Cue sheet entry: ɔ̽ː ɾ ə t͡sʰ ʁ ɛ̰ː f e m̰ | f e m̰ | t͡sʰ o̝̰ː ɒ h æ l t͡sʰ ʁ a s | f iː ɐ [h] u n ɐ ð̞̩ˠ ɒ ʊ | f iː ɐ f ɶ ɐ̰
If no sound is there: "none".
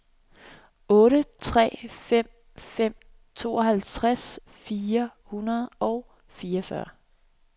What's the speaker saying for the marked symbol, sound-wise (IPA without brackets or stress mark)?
h